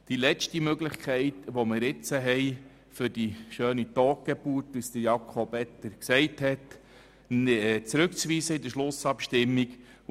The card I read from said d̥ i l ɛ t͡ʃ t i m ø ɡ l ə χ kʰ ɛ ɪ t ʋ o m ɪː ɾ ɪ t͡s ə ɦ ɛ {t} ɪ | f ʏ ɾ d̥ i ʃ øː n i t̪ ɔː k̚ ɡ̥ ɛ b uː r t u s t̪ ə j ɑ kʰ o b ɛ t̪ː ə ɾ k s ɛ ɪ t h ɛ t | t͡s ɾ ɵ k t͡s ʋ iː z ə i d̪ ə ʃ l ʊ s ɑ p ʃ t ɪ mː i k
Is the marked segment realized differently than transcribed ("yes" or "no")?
yes